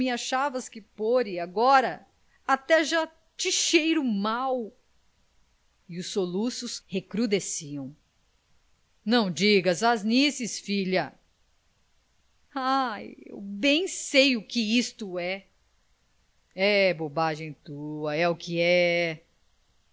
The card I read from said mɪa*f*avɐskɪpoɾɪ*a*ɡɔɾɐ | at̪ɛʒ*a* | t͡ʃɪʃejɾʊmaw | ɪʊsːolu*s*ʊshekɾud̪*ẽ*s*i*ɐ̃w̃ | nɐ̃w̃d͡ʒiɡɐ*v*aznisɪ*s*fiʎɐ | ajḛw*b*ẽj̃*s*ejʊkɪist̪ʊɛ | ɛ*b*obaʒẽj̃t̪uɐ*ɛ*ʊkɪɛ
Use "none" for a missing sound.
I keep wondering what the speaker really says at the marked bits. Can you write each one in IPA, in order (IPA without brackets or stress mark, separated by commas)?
ʃ, a, a, s, e, i, z, s, b, s, b, ɛ